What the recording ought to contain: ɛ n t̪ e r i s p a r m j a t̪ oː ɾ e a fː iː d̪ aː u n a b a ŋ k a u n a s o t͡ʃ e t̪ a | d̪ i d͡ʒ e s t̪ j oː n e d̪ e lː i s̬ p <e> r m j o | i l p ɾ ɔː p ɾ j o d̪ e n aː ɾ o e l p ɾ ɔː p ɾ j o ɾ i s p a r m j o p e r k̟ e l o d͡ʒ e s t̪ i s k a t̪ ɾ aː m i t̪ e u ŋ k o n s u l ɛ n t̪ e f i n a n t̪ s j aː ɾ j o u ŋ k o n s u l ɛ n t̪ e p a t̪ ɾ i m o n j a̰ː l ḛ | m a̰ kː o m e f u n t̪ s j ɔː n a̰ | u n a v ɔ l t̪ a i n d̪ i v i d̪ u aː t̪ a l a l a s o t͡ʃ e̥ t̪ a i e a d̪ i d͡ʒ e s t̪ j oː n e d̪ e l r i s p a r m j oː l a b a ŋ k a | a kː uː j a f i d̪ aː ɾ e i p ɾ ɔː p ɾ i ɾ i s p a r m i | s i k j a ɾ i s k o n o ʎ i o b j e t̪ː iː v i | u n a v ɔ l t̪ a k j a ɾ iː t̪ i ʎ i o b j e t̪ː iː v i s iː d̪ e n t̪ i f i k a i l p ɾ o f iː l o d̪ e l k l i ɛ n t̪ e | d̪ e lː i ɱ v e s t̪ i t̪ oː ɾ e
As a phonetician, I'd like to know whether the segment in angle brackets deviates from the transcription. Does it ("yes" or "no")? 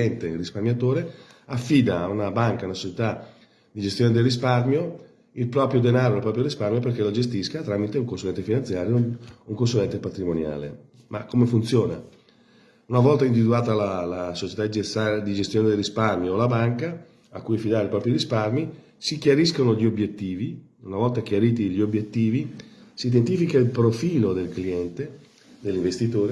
yes